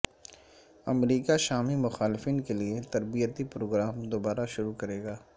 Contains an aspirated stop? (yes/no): no